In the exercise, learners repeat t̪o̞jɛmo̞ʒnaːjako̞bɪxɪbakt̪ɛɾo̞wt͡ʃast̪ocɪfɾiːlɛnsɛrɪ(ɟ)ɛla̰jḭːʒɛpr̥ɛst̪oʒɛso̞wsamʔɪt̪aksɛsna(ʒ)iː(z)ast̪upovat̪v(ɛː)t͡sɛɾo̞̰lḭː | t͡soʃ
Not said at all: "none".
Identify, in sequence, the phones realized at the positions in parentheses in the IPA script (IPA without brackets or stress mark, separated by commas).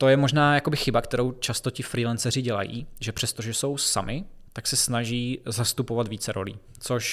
ɟ, ʒ, z, iː